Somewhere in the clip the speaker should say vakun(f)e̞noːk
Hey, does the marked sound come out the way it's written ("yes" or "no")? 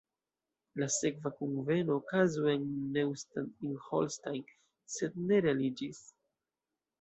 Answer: no